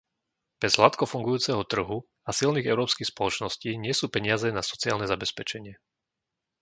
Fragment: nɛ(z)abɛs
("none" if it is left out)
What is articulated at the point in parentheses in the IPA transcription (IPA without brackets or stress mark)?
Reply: z